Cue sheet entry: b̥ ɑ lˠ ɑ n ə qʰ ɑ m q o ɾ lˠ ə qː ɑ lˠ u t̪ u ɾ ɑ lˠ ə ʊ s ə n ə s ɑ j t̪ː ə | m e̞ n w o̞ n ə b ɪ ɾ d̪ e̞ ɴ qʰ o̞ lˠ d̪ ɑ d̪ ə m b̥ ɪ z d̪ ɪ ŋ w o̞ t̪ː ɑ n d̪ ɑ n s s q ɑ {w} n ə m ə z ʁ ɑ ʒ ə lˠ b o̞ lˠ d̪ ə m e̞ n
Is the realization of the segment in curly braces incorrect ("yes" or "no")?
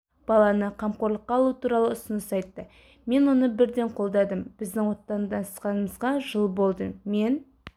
yes